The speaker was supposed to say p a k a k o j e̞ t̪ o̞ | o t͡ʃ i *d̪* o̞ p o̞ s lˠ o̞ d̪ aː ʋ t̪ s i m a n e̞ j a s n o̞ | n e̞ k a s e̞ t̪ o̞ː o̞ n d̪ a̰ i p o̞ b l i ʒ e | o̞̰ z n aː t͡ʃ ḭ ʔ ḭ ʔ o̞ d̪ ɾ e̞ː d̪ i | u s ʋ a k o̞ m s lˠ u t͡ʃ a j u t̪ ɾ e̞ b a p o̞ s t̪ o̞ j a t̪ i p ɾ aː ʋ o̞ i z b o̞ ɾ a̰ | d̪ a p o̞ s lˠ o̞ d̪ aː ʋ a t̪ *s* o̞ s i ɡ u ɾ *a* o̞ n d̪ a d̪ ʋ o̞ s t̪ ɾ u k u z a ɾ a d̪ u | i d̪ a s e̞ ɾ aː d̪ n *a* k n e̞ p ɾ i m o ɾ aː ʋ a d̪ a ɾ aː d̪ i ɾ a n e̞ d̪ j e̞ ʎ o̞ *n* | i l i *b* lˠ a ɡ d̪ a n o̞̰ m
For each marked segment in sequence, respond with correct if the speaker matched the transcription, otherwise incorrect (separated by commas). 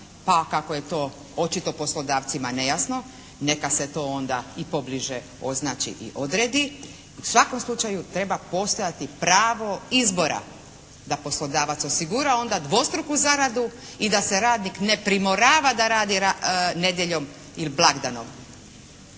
incorrect, correct, correct, incorrect, incorrect, correct